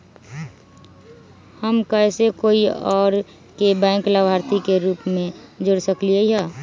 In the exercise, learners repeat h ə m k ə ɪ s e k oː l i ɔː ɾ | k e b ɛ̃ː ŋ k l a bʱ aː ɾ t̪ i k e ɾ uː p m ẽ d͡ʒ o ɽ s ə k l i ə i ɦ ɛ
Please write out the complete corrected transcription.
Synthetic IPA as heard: h ə m k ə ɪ s e k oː i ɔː ɾ | k e b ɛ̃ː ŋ k l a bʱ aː ɾ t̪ i k e ɾ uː p m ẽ d͡ʒ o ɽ s ə k l i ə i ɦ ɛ